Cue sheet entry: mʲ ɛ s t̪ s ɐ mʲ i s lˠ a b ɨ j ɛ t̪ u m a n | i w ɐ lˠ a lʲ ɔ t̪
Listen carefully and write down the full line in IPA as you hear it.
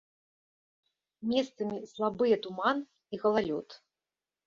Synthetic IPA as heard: mʲ ɛ s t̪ s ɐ mʲ i s lˠ a b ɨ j ɛ t̪ u m a n | i ɣ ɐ lˠ a lʲ ɔ t̪